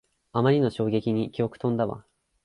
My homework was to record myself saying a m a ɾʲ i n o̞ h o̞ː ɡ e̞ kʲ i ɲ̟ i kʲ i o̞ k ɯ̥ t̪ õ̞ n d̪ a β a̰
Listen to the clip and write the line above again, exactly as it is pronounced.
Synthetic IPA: a m a ɾʲ i n o̞ ɕ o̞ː ɡ e̞ kʲ i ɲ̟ i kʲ i o̞ k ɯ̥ t̪ õ̞ n d̪ a β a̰